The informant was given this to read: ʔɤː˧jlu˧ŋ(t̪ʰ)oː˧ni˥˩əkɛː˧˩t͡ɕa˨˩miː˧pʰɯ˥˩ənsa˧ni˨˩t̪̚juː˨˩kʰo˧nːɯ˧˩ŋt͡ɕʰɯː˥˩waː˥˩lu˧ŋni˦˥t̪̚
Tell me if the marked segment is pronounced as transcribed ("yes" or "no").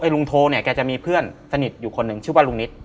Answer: yes